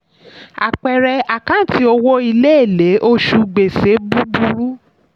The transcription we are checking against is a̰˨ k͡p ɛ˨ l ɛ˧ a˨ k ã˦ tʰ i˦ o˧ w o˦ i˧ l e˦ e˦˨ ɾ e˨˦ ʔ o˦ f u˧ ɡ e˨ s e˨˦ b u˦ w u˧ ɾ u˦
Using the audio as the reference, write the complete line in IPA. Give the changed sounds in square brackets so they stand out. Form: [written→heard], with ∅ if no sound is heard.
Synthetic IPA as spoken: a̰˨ k͡p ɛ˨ [l→ɾ] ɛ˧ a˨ k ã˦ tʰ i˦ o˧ w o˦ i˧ l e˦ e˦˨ [ɾ→l] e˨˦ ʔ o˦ [f→ʃ] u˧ [ɡ→ɡ͡b] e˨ s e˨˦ b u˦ [w→b] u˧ ɾ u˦